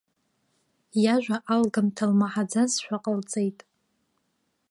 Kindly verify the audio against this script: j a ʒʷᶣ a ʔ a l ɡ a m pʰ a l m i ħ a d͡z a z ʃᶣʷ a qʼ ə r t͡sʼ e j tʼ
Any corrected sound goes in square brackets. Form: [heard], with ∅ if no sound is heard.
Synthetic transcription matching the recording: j a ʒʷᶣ a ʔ a l ɡ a m [tʰ] a l m [a] ħ a d͡z a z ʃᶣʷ a qʼ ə [l] t͡sʼ e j tʼ